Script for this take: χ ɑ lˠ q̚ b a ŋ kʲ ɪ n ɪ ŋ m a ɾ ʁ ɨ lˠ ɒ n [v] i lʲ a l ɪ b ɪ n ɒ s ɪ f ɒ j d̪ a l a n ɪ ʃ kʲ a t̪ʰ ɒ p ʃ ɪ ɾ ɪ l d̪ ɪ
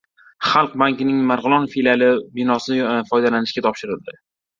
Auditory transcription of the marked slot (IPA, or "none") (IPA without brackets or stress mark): f